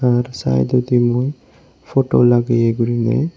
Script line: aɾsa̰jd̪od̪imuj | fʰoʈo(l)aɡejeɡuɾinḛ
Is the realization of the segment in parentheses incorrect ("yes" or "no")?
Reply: no